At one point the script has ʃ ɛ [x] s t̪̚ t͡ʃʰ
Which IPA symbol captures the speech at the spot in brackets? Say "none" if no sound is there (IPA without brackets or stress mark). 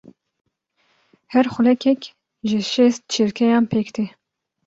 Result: none